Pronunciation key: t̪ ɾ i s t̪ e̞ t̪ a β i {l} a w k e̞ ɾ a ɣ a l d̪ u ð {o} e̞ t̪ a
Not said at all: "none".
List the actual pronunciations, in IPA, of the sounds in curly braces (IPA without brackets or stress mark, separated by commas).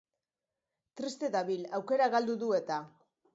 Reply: l, u